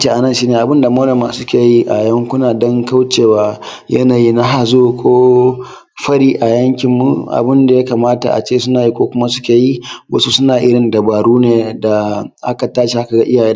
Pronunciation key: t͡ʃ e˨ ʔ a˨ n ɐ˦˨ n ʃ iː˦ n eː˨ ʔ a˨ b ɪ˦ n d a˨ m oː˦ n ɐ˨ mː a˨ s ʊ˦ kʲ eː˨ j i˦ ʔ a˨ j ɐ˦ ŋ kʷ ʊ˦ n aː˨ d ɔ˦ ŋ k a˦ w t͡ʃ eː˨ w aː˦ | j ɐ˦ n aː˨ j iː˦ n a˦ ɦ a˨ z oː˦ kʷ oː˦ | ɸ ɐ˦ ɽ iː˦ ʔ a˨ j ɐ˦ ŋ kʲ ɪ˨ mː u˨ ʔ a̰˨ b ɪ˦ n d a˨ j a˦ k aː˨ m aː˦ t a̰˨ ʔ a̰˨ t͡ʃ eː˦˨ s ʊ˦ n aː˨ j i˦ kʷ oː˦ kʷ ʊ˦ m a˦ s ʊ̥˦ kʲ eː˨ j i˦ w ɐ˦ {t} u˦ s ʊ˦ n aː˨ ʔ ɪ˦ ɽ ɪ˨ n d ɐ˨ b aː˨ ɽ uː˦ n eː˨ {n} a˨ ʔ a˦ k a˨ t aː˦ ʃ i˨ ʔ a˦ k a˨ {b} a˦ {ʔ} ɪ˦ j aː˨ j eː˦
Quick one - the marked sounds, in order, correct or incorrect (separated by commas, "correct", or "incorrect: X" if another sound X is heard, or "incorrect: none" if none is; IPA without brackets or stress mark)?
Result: incorrect: s, incorrect: d, incorrect: ɡ, correct